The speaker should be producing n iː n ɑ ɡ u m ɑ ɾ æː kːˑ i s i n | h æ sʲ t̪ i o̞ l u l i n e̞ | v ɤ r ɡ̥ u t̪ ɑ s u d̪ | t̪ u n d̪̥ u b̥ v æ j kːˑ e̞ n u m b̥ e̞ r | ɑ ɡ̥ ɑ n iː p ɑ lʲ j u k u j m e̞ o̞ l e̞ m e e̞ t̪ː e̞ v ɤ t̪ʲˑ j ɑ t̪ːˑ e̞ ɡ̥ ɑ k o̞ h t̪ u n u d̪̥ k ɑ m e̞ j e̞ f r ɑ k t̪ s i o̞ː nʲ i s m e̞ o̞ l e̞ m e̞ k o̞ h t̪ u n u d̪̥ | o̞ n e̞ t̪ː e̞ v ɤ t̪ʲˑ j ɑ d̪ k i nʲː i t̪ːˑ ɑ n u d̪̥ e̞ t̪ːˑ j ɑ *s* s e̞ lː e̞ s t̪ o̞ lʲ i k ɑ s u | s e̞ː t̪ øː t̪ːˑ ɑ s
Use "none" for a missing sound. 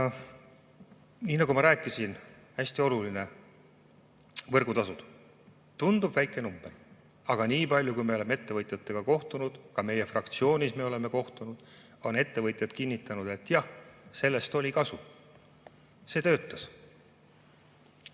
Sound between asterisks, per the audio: h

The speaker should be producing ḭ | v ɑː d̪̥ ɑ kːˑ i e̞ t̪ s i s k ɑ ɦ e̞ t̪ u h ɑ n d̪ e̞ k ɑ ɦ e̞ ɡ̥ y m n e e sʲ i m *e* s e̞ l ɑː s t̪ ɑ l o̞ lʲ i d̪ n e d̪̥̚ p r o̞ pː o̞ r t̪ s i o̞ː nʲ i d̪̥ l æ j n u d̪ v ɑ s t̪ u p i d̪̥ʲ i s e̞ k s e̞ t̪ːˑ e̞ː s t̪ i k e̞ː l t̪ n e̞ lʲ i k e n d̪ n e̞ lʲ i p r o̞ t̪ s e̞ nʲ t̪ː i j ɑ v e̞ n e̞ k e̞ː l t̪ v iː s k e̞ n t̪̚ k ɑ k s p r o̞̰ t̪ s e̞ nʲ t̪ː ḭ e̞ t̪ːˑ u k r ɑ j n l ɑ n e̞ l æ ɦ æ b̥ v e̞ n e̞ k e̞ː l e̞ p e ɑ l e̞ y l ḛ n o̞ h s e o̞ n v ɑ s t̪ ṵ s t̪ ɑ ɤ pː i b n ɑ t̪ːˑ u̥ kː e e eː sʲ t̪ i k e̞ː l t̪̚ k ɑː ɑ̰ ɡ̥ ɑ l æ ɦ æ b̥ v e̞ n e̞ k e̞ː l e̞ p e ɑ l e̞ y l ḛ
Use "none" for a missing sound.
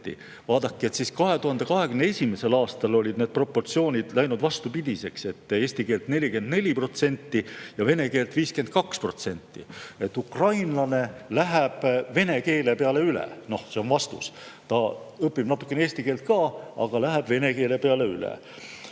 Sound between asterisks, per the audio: e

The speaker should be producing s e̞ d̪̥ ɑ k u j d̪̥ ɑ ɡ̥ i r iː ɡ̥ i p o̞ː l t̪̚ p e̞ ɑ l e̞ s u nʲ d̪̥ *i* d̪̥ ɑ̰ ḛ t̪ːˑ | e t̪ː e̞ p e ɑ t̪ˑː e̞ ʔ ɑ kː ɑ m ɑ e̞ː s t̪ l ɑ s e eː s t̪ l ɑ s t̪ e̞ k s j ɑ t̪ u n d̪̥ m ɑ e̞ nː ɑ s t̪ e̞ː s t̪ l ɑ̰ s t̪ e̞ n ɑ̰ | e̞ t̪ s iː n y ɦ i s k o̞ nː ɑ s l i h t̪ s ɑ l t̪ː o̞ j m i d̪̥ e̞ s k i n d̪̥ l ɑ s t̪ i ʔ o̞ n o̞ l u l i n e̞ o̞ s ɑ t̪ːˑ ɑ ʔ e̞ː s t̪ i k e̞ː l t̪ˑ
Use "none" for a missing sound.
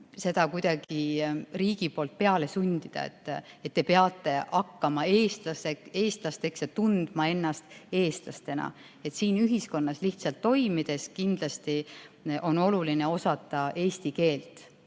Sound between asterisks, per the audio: i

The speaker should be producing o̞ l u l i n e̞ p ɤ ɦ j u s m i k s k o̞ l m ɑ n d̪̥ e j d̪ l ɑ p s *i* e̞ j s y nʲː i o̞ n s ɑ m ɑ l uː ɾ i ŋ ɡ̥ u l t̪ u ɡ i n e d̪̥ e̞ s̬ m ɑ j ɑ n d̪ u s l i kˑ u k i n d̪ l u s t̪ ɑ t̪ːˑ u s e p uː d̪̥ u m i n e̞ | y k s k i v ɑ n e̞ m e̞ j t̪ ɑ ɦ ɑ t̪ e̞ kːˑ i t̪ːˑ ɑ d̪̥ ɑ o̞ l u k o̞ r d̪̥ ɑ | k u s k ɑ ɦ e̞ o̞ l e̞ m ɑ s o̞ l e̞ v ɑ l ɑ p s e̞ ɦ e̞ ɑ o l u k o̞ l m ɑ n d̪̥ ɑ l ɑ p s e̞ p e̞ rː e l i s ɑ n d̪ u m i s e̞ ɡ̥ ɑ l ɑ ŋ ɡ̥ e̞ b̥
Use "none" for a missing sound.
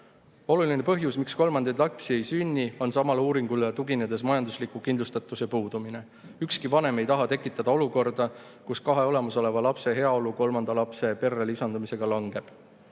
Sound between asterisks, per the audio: i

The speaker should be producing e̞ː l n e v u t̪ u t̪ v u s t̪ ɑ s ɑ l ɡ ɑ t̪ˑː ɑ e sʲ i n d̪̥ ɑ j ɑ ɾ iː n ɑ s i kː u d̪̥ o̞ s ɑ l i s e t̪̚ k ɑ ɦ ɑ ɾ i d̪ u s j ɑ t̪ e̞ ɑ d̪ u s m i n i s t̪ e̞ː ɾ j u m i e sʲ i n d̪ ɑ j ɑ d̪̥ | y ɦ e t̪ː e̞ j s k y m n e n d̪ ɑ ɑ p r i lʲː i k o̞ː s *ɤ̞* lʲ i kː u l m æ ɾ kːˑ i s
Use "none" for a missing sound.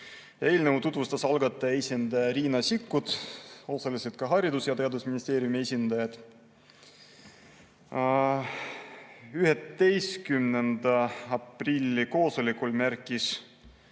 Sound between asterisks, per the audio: o̞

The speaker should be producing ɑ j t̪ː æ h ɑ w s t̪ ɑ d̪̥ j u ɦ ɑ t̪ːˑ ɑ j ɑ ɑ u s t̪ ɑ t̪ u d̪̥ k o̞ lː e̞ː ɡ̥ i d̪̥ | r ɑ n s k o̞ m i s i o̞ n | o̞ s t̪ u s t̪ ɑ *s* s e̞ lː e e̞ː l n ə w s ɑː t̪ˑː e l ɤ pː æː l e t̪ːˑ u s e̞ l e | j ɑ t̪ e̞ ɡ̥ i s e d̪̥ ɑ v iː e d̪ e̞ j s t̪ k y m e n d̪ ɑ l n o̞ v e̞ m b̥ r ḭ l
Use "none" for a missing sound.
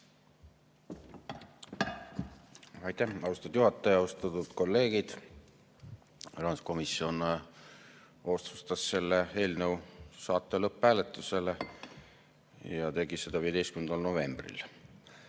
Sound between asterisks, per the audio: s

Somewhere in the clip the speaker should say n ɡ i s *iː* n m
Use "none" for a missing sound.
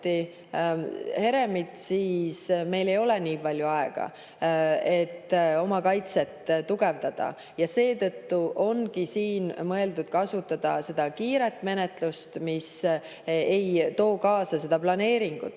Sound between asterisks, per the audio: iː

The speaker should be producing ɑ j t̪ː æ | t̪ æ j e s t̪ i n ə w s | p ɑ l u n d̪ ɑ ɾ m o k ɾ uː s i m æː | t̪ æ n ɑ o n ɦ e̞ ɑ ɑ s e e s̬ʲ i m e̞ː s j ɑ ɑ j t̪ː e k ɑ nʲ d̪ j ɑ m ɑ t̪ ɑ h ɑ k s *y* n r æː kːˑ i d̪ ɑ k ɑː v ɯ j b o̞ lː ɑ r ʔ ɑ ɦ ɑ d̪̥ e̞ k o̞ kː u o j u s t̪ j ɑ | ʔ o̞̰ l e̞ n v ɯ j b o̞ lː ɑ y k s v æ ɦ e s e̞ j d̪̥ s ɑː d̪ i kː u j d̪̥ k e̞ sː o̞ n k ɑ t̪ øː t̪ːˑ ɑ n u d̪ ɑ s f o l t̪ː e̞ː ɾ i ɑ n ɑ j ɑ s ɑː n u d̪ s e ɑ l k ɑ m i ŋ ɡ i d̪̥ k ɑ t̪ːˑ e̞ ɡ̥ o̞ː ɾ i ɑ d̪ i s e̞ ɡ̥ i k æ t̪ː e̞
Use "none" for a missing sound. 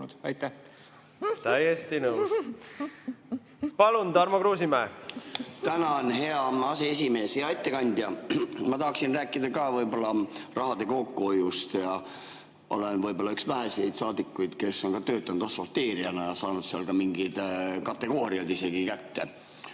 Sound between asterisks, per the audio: i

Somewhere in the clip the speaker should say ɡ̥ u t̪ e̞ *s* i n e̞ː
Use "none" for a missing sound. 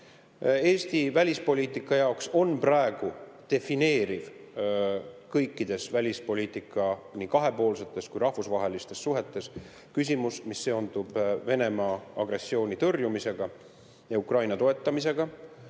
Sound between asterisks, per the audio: f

